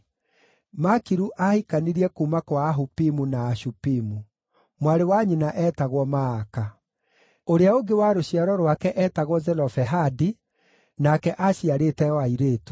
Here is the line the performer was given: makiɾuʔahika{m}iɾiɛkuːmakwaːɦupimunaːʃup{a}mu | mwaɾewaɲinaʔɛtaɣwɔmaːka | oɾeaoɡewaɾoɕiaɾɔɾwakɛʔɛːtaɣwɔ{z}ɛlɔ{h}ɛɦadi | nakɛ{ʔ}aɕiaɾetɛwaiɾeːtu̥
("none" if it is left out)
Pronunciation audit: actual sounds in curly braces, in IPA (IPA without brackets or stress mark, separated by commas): n, i, z, f, ʔ